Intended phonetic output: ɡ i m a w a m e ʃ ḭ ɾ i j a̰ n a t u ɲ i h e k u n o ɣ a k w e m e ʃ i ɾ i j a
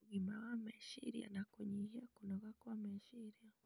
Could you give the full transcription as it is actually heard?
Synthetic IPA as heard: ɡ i m a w a m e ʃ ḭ ɾ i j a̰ n a k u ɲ i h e k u n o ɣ a k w a m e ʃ i ɾ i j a